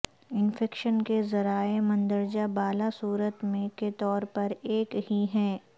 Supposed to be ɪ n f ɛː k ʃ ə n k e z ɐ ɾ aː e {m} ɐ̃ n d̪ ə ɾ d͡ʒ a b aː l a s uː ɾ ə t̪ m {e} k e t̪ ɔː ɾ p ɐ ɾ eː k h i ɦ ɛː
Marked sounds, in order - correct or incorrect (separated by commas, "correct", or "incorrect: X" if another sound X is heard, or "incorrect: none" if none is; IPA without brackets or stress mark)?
correct, incorrect: ẽ